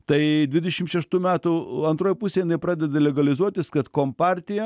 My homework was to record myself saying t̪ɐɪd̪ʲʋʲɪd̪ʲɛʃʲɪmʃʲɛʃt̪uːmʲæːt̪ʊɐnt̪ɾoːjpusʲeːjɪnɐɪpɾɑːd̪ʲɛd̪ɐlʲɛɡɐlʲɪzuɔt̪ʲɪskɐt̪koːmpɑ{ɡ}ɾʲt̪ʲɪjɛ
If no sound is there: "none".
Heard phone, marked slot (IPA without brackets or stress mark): none